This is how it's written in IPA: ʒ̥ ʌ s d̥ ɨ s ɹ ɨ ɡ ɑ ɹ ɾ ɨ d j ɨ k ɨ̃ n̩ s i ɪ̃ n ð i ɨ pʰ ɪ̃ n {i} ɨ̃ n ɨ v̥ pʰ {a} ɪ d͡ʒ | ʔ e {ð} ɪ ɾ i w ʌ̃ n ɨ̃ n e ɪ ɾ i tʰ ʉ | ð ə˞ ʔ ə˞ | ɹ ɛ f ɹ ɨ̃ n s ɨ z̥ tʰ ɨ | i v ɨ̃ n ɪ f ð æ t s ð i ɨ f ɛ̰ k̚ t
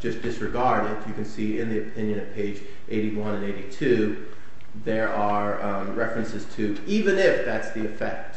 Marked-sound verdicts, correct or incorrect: incorrect: j, incorrect: e, incorrect: none

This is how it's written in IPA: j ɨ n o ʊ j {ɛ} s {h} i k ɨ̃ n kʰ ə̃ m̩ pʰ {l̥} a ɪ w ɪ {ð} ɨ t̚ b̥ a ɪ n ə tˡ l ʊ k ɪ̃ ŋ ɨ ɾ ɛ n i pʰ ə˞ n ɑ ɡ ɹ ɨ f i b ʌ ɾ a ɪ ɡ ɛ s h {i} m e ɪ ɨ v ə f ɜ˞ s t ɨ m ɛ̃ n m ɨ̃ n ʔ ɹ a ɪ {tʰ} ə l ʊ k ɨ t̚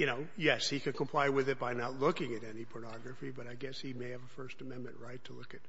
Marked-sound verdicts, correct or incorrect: correct, correct, correct, correct, correct, correct

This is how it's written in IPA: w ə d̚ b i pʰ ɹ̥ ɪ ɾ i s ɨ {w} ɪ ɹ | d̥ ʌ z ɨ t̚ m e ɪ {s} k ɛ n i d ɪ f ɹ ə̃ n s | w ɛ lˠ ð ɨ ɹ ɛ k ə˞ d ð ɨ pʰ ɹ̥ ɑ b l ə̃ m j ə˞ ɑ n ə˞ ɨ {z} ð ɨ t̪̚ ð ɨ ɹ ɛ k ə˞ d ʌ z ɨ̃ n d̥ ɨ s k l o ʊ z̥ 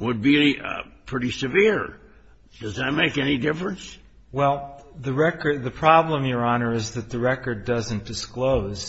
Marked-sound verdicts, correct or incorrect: incorrect: v, incorrect: none, correct

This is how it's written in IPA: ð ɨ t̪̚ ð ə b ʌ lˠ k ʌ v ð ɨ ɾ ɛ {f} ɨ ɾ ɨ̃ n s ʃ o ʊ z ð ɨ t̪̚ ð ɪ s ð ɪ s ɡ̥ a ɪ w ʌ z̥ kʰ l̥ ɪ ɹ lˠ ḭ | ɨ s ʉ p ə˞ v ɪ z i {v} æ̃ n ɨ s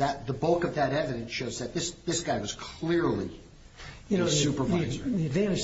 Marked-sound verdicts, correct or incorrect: incorrect: v, correct

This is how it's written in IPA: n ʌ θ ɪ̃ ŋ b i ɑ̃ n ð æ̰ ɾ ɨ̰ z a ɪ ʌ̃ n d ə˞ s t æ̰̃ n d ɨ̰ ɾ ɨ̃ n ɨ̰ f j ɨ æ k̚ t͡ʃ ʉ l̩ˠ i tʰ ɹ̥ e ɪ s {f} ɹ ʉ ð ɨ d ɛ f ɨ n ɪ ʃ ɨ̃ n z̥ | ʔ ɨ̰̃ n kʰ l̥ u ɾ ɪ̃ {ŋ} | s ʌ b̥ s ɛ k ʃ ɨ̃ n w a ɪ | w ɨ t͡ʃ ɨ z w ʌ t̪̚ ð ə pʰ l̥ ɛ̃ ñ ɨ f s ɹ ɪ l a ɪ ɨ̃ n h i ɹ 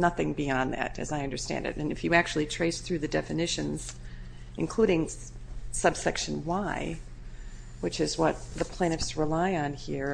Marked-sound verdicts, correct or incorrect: incorrect: θ, correct

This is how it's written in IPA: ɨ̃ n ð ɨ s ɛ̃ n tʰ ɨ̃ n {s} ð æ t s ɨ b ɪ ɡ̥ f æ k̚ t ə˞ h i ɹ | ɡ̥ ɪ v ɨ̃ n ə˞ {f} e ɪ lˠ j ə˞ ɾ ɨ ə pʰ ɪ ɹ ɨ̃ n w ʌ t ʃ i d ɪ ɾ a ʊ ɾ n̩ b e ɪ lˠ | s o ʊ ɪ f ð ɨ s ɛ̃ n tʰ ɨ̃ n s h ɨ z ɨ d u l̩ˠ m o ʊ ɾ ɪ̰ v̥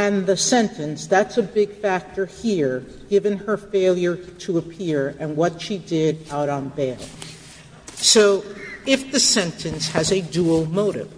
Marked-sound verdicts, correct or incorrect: correct, correct

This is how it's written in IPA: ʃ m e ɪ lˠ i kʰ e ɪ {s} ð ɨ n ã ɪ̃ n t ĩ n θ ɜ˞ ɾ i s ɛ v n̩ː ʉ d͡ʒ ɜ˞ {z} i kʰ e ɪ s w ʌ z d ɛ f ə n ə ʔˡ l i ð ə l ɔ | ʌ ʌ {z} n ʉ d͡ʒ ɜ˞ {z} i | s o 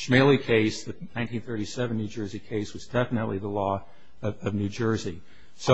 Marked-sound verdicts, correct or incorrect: correct, correct, incorrect: v, correct

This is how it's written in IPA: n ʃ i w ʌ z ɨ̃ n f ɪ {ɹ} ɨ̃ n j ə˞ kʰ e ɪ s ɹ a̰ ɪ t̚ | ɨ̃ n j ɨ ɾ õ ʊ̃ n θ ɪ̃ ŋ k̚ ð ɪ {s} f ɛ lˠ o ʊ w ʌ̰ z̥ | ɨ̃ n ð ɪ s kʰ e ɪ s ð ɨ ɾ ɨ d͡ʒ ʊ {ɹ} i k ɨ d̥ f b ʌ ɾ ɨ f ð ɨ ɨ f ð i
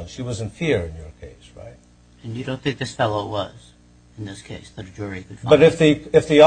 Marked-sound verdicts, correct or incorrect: correct, correct, correct

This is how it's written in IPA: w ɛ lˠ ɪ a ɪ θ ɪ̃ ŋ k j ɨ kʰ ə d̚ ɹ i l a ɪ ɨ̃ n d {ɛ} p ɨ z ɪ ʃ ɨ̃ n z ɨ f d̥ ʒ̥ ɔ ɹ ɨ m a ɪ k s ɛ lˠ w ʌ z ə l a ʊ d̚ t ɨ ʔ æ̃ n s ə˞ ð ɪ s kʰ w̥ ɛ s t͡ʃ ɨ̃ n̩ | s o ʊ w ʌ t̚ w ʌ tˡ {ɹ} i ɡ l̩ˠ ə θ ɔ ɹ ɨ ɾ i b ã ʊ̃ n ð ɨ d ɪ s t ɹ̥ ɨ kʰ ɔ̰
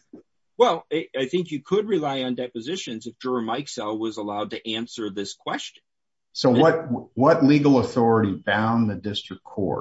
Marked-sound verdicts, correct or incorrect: correct, incorrect: l

